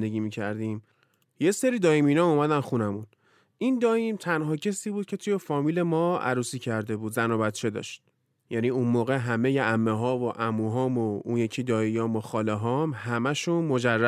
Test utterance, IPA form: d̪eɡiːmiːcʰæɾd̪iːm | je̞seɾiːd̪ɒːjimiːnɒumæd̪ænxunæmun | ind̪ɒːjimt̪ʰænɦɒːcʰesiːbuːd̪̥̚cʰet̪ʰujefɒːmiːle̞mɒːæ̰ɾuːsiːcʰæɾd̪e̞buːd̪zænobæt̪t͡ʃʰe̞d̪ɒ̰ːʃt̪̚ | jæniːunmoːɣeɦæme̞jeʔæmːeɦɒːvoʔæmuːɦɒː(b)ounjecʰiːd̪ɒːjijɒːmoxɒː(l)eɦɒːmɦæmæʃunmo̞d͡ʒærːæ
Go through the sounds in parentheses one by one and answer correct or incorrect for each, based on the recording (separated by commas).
incorrect, correct